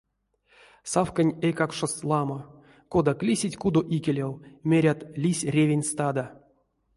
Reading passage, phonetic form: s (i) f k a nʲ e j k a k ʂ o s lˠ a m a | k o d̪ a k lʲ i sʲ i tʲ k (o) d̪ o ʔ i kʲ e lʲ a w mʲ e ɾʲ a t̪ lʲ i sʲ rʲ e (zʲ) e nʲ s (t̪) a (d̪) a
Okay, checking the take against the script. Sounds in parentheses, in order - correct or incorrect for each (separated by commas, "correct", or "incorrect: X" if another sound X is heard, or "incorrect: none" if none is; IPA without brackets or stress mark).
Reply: incorrect: a, incorrect: u, incorrect: vʲ, correct, correct